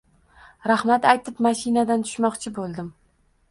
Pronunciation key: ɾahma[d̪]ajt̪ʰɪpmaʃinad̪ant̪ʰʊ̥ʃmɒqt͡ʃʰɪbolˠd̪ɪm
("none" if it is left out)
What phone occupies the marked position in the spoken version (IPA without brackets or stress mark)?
t̪